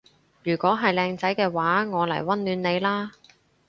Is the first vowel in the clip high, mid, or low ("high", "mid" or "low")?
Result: high